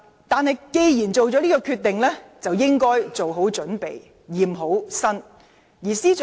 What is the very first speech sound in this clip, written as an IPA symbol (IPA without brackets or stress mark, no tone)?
t̪